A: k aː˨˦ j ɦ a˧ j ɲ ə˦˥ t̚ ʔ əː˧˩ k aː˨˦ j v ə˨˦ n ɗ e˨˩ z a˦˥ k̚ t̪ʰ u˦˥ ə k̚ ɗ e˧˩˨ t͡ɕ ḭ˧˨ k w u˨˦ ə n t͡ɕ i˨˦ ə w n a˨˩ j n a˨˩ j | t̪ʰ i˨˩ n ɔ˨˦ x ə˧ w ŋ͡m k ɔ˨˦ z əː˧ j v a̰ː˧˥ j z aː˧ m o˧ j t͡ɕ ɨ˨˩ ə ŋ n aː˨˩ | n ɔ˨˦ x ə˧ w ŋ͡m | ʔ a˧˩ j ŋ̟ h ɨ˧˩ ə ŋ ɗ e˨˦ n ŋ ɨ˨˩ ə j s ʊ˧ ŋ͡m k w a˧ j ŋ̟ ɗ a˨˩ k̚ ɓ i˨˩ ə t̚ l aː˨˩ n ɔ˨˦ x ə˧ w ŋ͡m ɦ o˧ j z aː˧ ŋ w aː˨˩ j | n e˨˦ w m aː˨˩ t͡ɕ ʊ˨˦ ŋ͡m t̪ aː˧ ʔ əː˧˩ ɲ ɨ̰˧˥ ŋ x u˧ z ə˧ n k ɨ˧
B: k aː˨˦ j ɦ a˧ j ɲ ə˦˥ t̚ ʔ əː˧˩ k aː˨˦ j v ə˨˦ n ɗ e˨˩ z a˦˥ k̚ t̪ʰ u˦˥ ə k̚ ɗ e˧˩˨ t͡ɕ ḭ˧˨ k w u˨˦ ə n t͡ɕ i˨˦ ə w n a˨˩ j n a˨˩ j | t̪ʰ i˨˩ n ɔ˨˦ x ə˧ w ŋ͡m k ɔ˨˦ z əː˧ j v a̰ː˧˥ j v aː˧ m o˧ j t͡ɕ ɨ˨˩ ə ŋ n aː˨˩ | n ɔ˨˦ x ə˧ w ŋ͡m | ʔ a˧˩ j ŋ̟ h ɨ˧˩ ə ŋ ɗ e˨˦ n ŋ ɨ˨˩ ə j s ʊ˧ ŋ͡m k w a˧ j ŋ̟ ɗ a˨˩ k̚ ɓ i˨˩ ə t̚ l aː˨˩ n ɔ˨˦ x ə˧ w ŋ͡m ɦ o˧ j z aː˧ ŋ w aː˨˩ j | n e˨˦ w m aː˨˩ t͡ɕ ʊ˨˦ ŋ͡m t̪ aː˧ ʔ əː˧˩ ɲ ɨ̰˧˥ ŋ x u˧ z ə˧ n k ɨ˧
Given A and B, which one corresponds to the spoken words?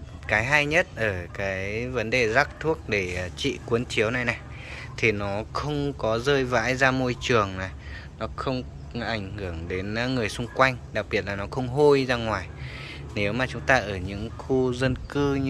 A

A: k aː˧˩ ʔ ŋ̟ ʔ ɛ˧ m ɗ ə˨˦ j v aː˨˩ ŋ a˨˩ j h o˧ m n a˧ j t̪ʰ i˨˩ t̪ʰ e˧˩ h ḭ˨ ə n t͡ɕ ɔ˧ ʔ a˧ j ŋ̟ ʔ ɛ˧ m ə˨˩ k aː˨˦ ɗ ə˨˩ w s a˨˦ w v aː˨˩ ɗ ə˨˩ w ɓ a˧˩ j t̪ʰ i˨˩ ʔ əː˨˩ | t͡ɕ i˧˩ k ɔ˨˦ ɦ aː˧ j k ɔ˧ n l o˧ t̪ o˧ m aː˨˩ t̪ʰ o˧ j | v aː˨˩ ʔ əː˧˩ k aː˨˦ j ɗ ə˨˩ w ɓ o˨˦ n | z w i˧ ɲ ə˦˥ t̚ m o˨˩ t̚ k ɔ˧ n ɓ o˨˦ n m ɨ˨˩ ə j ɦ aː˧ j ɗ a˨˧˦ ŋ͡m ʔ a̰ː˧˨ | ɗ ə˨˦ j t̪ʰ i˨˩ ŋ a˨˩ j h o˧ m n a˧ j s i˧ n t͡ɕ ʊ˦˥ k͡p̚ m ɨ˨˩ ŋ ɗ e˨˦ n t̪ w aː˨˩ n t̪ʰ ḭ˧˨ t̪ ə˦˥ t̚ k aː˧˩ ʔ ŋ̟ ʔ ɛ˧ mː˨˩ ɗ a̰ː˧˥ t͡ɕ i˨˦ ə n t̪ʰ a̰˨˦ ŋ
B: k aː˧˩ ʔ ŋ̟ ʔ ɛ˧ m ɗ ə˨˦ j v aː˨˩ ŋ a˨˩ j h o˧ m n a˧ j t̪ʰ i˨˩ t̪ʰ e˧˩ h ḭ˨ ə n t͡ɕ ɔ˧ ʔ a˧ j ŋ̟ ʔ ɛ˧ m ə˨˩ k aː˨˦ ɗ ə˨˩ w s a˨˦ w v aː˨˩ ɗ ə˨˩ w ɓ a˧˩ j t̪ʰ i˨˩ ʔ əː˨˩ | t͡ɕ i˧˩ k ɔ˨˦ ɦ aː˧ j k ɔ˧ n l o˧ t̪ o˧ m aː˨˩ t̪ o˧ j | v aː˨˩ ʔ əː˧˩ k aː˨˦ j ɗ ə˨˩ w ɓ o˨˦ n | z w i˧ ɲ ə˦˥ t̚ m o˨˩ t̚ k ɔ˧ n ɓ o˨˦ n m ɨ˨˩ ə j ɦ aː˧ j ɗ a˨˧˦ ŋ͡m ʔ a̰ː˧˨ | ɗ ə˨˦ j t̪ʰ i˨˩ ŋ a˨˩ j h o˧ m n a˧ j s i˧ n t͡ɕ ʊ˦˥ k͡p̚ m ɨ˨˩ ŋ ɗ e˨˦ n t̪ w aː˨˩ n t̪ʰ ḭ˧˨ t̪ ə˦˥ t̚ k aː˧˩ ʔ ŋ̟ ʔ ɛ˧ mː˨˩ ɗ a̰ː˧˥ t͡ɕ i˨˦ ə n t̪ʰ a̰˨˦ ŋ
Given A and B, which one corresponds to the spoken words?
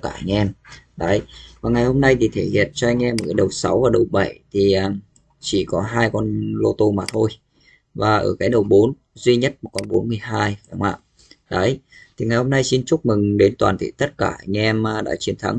A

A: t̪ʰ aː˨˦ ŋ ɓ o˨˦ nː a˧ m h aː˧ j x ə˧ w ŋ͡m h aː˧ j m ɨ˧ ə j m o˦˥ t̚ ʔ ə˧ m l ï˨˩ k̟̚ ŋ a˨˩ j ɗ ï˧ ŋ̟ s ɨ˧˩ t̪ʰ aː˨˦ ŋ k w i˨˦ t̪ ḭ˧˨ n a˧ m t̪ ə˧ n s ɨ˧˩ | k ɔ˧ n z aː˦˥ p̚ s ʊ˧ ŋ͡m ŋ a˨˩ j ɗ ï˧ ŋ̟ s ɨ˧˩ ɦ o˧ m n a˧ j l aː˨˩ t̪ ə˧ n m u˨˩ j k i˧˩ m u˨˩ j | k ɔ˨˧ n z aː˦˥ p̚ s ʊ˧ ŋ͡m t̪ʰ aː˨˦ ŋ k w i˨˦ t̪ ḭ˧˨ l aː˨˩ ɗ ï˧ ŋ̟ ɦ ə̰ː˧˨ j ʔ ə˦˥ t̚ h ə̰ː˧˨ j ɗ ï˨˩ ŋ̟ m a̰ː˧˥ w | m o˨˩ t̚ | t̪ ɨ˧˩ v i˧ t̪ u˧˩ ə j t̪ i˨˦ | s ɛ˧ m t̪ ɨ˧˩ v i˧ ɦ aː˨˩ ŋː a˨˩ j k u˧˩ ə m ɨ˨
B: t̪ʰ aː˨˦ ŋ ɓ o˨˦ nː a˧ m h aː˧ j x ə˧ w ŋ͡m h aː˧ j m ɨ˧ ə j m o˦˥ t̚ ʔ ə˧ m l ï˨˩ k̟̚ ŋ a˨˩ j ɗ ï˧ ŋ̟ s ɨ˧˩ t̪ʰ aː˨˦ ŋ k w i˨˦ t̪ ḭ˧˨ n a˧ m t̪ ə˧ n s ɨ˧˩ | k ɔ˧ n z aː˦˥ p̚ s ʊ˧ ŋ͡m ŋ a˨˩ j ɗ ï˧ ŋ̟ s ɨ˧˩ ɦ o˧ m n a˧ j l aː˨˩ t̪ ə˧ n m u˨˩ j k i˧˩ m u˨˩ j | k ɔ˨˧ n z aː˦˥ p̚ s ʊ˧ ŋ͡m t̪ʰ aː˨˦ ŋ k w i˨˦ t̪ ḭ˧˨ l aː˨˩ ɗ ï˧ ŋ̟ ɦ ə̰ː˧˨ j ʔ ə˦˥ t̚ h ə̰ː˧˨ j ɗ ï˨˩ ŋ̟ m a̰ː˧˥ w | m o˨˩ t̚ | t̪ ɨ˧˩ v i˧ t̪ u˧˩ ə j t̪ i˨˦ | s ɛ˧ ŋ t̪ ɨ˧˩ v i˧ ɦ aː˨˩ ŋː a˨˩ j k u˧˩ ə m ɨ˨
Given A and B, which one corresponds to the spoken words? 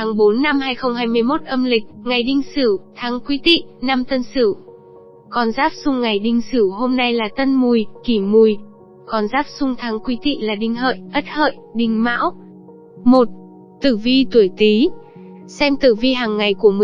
A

